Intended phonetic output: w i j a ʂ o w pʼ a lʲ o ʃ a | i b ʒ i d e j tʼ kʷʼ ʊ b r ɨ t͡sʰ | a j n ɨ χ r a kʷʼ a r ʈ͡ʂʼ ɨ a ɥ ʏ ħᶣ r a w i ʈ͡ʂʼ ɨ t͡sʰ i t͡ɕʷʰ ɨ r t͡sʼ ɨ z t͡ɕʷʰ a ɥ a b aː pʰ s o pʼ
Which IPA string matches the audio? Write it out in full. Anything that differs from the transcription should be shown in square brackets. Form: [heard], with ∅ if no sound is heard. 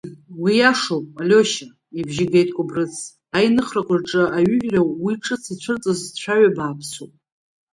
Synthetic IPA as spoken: w i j a ʂ o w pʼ a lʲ o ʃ a | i b ʒ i [ɡ] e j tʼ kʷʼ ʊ b r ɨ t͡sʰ | a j n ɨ χ r a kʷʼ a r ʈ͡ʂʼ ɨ a ɥ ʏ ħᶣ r a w i ʈ͡ʂʼ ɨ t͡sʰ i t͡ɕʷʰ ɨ r t͡sʼ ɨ z t͡ɕʷʰ a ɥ a b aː pʰ s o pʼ